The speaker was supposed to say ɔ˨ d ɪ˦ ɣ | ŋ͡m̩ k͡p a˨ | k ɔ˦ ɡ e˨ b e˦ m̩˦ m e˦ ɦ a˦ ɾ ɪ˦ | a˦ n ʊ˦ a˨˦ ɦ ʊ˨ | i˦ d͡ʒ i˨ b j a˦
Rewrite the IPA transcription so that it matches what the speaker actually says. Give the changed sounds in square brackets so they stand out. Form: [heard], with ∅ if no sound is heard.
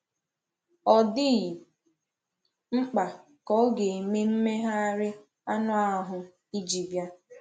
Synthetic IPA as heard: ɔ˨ d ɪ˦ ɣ | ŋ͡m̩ k͡p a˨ | k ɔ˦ ɡ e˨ [m] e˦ m̩˦ m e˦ ɦ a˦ ɾ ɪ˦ | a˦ n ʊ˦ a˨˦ ɦ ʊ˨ | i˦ d͡ʒ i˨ b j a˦